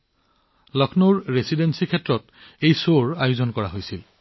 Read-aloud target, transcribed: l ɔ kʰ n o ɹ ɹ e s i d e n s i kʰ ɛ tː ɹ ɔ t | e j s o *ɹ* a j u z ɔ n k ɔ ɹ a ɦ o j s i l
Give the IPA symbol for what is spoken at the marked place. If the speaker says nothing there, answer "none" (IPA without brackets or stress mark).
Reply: ɹ